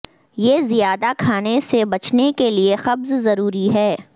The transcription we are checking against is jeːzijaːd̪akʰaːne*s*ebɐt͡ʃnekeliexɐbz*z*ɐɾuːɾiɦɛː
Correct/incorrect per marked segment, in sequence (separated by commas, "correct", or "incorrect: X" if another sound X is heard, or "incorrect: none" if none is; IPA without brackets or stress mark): correct, correct